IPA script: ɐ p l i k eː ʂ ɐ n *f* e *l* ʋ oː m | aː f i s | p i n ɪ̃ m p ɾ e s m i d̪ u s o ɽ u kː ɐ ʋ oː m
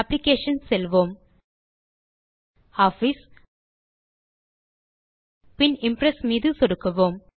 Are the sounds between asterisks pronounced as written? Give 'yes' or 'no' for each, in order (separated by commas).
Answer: no, yes